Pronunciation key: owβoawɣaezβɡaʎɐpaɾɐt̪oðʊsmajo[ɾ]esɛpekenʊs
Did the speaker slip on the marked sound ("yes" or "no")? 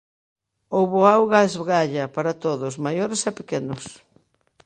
no